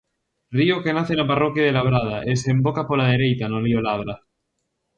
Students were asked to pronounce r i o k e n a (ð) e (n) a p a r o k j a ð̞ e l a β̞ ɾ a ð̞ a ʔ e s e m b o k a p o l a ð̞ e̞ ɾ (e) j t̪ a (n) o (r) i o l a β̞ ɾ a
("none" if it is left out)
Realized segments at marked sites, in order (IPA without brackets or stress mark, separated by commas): θ, n, e, n, l